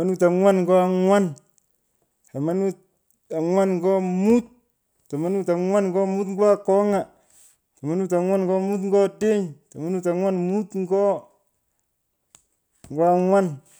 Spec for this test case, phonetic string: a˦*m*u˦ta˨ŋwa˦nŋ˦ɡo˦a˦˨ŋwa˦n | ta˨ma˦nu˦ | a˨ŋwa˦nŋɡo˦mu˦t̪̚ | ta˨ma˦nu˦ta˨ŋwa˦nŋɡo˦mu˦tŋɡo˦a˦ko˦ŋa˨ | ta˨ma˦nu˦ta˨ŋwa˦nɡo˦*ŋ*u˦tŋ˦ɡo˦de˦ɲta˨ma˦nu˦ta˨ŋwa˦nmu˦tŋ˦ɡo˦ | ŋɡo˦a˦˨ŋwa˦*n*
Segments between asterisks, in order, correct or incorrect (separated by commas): incorrect, incorrect, correct